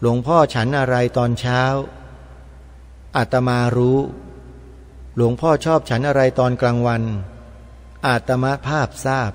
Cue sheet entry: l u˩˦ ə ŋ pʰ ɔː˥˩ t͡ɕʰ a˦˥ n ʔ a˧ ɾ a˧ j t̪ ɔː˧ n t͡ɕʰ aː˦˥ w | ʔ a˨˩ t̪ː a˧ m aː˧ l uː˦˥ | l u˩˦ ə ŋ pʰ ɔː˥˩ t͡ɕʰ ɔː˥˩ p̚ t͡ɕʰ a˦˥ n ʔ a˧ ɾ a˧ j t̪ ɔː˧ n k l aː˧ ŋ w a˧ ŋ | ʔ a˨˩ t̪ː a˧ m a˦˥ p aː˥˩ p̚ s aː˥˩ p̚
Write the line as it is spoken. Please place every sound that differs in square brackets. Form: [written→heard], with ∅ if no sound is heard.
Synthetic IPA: l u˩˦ ə ŋ pʰ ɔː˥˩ t͡ɕʰ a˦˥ n ʔ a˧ ɾ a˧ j t̪ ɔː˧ n t͡ɕʰ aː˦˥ w | ʔ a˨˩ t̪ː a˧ m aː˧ [l→ɾ] uː˦˥ | l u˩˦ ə ŋ pʰ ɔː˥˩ t͡ɕʰ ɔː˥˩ p̚ t͡ɕʰ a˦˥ n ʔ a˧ ɾ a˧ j t̪ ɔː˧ n k l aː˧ ŋ w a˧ [ŋ→n] | ʔ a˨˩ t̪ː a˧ m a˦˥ [p→pʰ] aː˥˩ p̚ s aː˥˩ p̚